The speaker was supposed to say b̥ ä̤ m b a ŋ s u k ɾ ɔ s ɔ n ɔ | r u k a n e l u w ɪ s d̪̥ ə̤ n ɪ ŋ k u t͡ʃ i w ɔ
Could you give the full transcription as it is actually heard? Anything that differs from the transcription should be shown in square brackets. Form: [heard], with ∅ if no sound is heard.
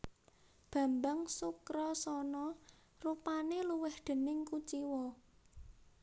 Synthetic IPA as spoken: b̥ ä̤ m b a ŋ s u k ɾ ɔ s ɔ n ɔ | r u [p] a n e l u w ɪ [h] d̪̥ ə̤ n ɪ ŋ k u t͡ʃ i w ɔ